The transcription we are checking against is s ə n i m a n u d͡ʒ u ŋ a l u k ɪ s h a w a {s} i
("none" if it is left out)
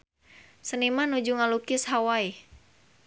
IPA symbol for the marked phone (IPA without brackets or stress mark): none